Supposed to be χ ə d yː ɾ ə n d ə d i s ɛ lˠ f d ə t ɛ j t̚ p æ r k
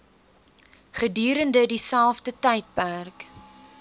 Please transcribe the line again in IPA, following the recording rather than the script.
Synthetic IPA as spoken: χ ə d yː ɾ ə n d ə d i s æ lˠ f d ə t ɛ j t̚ p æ r k